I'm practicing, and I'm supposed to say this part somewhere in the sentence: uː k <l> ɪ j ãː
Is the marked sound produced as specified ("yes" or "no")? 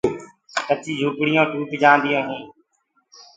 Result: no